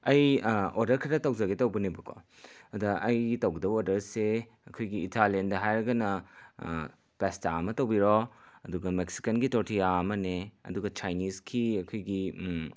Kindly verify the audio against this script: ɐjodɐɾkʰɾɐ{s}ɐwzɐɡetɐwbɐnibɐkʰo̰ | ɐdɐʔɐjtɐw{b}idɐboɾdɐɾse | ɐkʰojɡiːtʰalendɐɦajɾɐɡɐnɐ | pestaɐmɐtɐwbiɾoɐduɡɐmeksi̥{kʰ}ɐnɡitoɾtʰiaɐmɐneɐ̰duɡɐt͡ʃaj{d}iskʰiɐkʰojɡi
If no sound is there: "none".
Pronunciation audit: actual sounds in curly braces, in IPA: t, ɡ, k, n

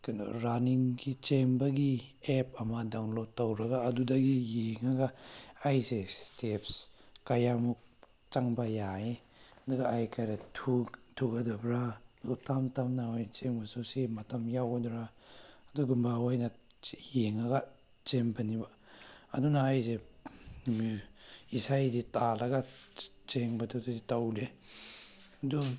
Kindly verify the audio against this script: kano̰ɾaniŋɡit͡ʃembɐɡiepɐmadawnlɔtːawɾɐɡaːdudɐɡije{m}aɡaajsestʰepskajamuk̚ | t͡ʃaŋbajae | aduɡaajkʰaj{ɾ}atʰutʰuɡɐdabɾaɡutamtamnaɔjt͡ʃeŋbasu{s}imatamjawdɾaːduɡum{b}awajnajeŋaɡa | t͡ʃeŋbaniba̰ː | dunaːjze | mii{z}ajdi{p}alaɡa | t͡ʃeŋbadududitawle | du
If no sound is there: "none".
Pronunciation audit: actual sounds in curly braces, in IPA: ŋ, ɾ, s, b, s, t

